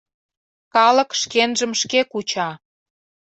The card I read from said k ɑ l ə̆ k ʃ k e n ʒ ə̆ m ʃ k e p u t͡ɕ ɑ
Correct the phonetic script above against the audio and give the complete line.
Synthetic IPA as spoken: k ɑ l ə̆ k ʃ k e n ʒ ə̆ m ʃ k e k u t͡ɕ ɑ